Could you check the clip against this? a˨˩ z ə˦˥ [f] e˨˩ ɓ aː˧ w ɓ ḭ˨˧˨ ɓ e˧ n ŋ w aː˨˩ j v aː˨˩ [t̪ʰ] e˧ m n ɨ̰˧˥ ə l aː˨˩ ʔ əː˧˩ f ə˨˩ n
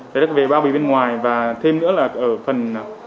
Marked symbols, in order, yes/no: no, yes

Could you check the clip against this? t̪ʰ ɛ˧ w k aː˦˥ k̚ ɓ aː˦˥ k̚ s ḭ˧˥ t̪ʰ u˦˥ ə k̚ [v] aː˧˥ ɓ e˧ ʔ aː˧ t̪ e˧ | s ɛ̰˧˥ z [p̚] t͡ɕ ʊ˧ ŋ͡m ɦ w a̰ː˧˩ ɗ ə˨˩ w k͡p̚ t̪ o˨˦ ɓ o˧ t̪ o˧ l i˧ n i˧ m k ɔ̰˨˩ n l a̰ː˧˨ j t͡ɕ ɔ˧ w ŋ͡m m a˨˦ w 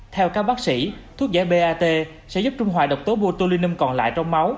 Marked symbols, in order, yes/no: no, yes

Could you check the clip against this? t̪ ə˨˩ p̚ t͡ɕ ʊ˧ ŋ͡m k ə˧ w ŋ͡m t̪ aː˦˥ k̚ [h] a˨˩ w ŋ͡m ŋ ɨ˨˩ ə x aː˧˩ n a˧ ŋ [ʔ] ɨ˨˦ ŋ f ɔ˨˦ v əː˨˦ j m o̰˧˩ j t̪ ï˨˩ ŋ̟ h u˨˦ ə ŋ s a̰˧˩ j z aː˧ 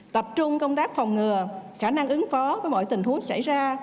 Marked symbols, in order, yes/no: no, yes

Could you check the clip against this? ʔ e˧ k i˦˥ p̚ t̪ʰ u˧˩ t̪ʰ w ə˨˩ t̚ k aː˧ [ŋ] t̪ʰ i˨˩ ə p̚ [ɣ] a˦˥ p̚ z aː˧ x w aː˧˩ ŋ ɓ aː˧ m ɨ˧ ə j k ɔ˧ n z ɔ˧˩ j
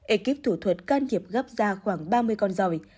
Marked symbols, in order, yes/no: no, yes

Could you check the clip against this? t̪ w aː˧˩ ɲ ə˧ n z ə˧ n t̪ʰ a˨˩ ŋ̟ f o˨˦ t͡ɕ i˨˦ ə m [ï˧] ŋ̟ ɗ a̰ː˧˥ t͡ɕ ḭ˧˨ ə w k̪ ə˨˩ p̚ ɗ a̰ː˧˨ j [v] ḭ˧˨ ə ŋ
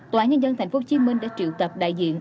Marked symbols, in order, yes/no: yes, no

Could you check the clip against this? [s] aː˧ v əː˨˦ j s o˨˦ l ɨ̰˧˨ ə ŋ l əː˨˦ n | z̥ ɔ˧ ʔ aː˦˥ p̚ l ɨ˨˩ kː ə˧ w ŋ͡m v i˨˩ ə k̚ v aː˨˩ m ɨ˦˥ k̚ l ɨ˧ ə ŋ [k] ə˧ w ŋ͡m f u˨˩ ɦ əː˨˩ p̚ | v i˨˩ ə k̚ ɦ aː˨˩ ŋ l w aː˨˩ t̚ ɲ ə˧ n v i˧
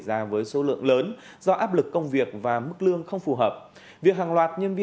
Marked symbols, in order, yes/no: no, no

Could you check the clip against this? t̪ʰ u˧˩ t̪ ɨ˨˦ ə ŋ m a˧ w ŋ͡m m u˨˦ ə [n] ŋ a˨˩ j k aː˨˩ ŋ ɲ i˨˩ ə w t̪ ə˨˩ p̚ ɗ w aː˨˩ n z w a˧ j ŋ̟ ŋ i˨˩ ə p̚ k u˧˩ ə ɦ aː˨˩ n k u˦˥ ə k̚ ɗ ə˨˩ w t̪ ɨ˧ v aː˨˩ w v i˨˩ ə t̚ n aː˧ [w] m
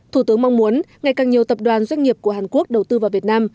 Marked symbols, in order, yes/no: yes, no

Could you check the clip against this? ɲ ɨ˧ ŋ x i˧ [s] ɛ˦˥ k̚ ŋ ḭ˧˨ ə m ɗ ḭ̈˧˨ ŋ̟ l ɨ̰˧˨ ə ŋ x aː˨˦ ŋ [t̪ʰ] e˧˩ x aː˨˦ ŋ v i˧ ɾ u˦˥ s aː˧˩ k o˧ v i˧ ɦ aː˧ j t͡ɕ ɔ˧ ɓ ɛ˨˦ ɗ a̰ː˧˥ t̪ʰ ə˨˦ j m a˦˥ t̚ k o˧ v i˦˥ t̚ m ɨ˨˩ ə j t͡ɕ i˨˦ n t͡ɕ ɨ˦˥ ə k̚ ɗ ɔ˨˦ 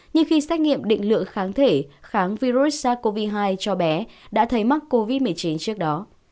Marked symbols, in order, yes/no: yes, yes

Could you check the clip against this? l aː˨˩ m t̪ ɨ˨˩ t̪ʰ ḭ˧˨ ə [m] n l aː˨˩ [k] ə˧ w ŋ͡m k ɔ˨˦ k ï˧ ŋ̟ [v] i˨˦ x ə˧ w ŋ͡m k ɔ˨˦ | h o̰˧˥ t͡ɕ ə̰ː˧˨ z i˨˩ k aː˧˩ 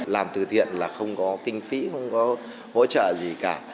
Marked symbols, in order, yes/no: no, no, no

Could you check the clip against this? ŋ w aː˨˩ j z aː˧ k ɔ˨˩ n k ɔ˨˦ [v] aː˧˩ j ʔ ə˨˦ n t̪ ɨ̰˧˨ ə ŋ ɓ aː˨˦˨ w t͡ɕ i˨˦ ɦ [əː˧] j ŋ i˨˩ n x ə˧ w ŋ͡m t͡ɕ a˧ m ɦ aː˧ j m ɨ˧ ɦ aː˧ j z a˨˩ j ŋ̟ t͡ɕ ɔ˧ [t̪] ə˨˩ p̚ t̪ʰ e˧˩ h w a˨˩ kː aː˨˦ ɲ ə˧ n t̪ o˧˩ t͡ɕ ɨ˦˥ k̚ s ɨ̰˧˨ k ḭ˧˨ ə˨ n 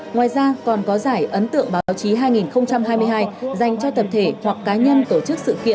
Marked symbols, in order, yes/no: no, no, yes

